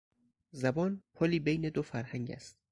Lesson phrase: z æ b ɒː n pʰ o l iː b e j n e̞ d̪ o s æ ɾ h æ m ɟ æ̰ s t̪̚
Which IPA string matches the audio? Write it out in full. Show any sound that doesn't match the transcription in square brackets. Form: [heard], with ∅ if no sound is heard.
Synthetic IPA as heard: z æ b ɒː n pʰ o l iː b e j n e̞ d̪ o [f] æ ɾ h æ [ŋ] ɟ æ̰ s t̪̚